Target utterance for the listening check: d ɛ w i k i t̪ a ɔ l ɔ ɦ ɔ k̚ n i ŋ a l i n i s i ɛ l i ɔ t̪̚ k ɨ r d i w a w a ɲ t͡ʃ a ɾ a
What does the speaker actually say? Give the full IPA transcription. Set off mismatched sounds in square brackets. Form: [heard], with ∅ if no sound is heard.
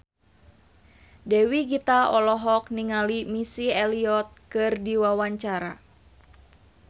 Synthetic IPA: d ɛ w i [ɡ] i t̪ a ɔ l ɔ ɦ ɔ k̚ n i ŋ a l i [m] i s i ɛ l i ɔ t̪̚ k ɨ r d i w a w a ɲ t͡ʃ a ɾ a